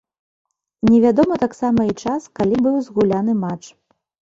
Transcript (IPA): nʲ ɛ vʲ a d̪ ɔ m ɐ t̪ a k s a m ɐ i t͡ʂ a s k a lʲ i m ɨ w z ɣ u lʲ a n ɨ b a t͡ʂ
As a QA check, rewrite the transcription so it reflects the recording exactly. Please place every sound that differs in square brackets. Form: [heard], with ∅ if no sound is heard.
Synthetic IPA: nʲ ɛ vʲ a d̪ ɔ m ɐ t̪ a k s a m ɐ i t͡ʂ a s k a lʲ i [b] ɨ w z ɣ u lʲ a n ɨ [m] a t͡ʂ